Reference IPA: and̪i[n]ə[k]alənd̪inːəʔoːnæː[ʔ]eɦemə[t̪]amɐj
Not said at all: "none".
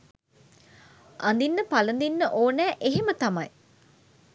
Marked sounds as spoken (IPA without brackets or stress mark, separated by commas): nː, p, ʔ, t̪